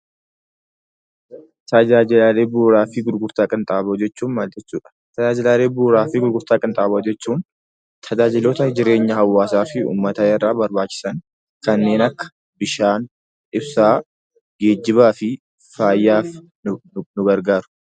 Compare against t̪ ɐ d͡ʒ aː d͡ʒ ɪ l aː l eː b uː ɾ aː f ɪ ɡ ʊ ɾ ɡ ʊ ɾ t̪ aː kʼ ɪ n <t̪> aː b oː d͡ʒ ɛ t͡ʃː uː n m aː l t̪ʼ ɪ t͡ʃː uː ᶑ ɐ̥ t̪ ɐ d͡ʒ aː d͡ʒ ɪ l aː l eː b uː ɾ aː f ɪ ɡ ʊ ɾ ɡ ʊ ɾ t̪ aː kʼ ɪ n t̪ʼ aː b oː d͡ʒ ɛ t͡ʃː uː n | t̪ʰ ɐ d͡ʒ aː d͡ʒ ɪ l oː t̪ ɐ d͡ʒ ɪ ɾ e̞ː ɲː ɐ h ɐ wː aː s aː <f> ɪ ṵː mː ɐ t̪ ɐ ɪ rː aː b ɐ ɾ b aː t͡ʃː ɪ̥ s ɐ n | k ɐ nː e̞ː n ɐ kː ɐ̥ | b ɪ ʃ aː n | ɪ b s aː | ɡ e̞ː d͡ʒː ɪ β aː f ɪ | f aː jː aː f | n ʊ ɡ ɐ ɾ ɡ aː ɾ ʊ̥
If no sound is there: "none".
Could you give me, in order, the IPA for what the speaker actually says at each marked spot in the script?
t̪ʼ, f

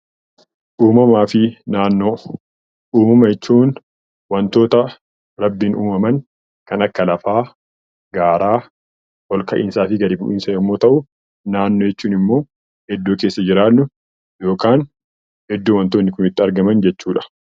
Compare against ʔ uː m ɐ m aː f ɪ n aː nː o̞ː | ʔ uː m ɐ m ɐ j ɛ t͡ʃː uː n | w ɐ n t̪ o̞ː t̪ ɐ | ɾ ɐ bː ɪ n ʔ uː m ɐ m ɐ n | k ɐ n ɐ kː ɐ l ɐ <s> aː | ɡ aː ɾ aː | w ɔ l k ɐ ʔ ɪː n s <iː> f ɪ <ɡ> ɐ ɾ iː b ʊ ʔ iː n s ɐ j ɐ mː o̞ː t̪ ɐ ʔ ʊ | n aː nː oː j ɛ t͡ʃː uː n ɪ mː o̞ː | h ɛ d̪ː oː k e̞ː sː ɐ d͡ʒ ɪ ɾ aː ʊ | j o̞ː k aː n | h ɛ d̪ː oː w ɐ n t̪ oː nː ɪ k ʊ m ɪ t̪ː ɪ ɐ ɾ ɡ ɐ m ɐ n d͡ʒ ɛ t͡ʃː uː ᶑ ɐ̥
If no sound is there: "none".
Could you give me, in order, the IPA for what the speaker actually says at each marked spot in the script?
f, aː, ɡ

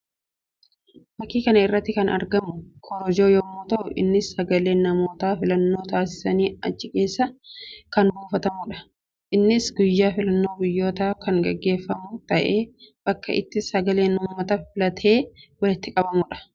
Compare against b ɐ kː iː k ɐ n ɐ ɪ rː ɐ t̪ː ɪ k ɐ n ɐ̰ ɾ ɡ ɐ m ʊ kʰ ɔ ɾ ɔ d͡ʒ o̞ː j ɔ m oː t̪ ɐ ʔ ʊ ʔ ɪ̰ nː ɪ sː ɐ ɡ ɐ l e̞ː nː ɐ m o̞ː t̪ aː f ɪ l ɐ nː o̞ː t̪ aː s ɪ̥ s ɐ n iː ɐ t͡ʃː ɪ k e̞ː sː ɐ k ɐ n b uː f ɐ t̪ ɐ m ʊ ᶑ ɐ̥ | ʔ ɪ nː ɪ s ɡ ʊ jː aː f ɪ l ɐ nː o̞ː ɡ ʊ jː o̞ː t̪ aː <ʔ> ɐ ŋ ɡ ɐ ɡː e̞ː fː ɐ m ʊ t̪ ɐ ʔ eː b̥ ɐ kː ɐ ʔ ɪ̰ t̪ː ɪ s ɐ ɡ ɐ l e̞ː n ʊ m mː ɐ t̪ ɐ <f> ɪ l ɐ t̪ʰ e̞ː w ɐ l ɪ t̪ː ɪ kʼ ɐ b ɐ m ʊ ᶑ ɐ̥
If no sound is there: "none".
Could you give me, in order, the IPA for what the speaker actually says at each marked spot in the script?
k, f

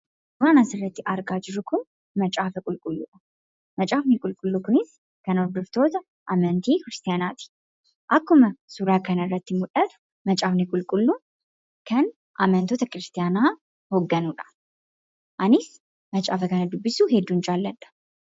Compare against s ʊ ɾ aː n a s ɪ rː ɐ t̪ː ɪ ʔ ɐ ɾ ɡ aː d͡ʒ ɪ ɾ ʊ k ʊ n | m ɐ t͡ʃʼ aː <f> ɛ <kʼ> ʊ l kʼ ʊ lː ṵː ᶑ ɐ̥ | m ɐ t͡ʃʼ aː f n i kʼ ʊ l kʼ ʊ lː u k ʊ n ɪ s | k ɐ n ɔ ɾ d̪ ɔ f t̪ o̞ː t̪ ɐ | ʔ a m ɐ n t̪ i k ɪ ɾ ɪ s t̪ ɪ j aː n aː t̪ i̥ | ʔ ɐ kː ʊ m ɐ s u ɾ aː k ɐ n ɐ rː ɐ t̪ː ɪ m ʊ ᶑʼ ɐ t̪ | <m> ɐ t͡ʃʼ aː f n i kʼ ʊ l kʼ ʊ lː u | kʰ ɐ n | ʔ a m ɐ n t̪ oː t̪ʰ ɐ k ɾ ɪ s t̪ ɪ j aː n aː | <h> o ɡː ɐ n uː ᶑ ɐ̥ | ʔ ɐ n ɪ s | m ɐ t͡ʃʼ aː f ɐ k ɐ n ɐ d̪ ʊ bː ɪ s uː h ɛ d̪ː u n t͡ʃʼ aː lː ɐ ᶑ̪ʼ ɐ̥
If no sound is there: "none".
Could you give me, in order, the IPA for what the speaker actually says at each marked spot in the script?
f, kʼ, m, h

